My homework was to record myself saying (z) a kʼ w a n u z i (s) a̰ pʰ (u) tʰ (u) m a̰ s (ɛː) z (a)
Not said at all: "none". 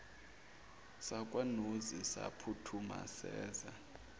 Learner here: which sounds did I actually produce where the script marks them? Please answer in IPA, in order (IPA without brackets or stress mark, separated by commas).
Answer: s, s, u, u, ɛː, a